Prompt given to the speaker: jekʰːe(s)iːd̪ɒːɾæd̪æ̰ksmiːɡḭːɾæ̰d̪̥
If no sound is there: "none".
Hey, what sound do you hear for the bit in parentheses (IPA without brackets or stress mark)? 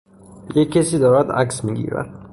s